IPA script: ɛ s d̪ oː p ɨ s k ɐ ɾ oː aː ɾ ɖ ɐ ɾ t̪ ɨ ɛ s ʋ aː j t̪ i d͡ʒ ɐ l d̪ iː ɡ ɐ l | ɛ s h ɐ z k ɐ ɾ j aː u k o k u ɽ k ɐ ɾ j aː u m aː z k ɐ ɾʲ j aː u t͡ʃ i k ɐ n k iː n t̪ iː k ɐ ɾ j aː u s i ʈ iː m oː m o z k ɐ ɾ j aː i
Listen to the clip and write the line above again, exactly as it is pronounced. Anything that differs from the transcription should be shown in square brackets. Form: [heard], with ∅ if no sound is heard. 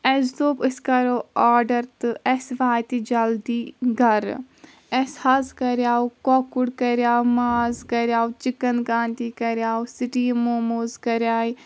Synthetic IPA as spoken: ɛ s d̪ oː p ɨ s k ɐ ɾ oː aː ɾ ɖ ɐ ɾ t̪ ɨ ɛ s ʋ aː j t̪ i d͡ʒ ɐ l d̪ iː ɡ ɐ [ɾ] | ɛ s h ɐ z k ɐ ɾ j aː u k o k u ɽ k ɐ ɾ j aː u m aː z k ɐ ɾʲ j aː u t͡ʃ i k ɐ n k [aː] n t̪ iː k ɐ ɾ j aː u s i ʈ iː m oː m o z k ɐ ɾ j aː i

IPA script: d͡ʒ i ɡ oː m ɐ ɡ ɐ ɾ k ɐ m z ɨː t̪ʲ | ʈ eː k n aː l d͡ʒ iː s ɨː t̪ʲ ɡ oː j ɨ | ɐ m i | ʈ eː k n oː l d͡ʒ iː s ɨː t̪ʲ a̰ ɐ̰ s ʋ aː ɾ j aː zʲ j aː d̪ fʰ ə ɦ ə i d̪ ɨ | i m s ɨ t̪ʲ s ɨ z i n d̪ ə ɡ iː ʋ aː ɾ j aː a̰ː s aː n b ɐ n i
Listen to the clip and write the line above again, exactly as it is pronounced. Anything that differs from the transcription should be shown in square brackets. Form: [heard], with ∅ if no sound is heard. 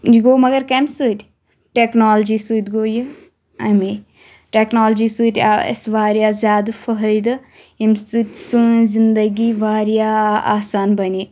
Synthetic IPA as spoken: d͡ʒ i ɡ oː m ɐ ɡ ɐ ɾ k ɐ m [s] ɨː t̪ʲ | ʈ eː k n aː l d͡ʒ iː s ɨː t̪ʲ ɡ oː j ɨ | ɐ m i | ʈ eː k n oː l d͡ʒ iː s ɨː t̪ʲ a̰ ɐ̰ s ʋ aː ɾ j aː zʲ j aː d̪ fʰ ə ɦ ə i d̪ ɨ | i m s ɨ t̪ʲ s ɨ z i n d̪ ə ɡ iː ʋ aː ɾ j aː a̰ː s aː n b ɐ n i

